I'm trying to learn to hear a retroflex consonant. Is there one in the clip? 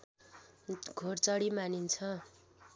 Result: yes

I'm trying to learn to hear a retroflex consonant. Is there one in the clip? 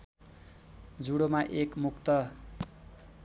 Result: yes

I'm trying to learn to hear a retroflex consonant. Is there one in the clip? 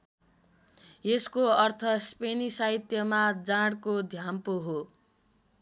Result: yes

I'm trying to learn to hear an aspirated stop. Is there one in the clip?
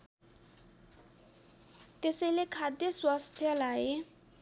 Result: yes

